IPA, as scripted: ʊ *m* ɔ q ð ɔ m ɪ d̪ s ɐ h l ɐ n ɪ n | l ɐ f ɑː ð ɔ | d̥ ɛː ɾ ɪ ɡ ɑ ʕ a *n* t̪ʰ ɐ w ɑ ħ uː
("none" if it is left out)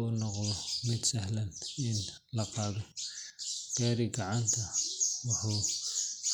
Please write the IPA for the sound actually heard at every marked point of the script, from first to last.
n, n

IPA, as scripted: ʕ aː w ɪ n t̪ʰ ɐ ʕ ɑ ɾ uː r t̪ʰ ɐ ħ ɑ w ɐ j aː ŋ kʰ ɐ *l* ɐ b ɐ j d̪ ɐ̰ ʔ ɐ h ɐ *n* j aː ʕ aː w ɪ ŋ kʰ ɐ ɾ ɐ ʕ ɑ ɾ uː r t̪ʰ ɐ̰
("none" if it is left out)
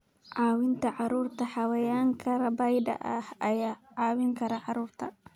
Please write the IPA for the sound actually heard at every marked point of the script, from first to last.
ɾ, none

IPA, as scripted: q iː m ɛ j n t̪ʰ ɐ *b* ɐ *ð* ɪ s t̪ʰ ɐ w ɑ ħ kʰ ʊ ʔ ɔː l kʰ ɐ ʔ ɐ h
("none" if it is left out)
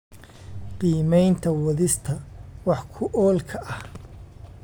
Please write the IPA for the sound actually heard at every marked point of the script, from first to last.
w, ð

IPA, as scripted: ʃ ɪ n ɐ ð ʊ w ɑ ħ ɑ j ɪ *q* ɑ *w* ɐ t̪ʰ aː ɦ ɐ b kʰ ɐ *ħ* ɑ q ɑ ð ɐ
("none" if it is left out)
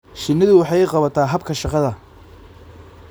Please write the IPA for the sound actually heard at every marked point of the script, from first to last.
q, β, ʃ

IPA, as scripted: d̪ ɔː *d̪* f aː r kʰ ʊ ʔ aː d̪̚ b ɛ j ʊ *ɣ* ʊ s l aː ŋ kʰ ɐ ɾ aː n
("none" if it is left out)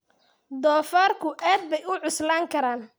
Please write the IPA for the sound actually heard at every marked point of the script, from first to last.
none, ʕ

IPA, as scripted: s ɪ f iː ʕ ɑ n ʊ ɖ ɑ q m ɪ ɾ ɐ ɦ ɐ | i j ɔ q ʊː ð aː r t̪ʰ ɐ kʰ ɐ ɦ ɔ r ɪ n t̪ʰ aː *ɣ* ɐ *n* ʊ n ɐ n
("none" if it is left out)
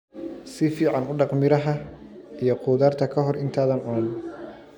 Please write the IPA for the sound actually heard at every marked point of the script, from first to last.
ð, n

